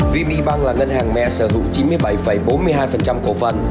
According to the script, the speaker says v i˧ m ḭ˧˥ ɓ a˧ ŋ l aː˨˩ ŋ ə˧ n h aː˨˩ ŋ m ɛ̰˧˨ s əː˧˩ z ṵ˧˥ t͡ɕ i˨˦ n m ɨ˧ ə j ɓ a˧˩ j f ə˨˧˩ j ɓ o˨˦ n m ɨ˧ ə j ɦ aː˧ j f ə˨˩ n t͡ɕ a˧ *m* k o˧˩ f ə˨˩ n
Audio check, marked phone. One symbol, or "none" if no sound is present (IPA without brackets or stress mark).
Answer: m